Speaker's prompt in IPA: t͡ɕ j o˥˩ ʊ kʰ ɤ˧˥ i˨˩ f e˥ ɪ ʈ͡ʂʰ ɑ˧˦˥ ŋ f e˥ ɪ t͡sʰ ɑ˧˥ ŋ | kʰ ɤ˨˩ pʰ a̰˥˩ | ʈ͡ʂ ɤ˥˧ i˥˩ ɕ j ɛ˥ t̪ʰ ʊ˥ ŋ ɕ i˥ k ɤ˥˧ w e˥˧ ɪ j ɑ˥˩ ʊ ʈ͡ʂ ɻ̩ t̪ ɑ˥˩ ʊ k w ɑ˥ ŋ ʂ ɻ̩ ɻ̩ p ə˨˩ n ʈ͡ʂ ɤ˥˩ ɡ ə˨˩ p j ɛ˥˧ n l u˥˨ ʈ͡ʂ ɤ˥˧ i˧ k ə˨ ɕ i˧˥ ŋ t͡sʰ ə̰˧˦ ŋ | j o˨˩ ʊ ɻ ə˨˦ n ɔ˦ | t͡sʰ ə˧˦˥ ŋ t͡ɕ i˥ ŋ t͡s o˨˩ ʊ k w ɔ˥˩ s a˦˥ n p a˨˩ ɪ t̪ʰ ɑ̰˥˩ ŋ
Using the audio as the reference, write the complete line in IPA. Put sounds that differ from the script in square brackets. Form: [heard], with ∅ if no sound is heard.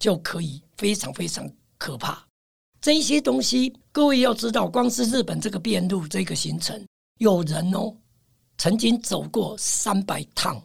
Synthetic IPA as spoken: t͡ɕ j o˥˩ ʊ kʰ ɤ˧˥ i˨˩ f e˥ ɪ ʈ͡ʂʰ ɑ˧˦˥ ŋ f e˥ ɪ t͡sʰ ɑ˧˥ ŋ | kʰ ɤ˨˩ pʰ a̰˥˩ | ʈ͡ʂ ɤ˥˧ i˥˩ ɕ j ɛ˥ [t̪] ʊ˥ ŋ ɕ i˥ k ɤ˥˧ w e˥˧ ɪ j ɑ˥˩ ʊ ʈ͡ʂ ɻ̩ t̪ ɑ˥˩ ʊ k w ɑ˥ ŋ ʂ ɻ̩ ɻ̩ p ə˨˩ n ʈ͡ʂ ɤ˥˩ ɡ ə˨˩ p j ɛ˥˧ n l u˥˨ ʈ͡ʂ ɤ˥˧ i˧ [ɡ] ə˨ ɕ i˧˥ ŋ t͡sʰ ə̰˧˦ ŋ | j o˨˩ ʊ ɻ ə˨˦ n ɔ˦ | t͡sʰ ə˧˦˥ ŋ t͡ɕ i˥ ŋ t͡s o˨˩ ʊ k w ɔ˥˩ s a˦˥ n p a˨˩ ɪ t̪ʰ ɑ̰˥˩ ŋ